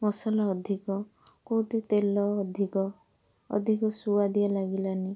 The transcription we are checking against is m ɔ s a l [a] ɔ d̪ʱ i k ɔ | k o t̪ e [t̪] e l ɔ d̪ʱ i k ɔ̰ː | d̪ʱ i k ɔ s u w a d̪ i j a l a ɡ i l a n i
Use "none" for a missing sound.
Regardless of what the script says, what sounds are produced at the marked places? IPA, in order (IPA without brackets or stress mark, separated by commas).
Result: a, t̪